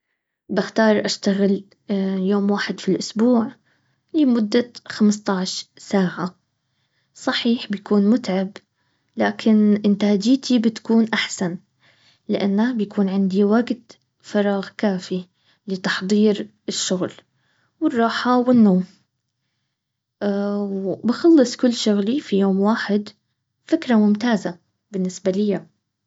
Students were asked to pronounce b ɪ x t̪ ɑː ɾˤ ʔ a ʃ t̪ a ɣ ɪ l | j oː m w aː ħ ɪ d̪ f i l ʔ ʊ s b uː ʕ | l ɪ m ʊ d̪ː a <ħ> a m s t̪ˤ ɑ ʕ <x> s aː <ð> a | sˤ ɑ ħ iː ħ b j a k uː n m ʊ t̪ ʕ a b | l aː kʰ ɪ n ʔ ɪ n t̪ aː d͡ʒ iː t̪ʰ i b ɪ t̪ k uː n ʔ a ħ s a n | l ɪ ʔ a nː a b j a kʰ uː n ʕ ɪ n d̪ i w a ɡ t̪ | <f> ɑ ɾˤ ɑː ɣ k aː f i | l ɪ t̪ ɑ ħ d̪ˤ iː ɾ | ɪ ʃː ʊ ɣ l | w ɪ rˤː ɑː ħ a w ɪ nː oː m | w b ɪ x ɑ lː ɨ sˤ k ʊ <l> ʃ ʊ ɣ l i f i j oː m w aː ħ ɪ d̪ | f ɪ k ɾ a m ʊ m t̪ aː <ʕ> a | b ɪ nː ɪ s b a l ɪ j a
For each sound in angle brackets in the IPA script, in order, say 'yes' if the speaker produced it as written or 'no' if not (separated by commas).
no, no, no, yes, no, no